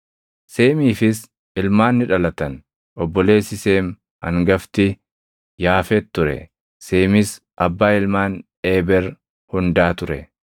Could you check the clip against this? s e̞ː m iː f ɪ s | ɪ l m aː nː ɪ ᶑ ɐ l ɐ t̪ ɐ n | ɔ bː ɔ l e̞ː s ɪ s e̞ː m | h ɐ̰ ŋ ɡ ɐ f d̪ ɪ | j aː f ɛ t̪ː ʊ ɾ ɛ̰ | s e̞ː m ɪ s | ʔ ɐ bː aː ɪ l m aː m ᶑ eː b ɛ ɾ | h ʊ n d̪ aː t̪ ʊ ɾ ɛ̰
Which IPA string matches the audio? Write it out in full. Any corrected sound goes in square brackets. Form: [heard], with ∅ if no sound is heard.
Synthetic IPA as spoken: s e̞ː m iː f ɪ s | ɪ l m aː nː ɪ ᶑ ɐ l ɐ t̪ ɐ n | ɔ bː ɔ l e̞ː s ɪ s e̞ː m | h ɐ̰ ŋ ɡ ɐ f [t̪] ɪ | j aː f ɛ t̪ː ʊ ɾ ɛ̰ | s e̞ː m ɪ s | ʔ ɐ bː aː ɪ l m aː [n] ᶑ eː b ɛ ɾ | h ʊ n d̪ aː t̪ ʊ ɾ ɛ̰